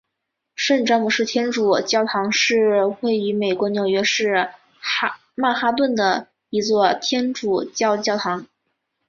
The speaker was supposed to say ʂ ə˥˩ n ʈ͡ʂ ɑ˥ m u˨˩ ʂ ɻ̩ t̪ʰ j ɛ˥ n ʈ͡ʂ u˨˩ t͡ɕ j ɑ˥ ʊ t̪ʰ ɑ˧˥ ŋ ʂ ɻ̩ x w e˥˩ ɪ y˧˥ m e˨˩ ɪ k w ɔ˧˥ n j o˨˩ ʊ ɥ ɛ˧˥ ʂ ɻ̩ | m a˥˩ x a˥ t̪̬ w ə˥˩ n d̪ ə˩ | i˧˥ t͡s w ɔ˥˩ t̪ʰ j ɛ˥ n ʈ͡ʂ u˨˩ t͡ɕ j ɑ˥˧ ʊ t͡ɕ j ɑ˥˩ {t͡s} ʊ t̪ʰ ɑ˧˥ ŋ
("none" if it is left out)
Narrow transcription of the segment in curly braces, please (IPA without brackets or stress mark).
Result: none